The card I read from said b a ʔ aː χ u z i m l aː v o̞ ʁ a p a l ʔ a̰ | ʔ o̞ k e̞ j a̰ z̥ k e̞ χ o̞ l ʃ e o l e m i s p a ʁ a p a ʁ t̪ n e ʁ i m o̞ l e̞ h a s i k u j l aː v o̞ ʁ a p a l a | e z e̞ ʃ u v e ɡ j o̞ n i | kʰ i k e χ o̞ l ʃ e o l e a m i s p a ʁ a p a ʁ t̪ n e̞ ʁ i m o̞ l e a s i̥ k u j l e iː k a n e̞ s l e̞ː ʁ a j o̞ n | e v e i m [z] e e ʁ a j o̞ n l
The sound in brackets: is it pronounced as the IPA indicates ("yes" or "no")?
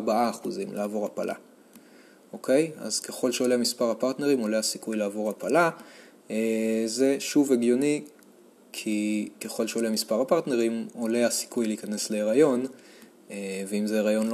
yes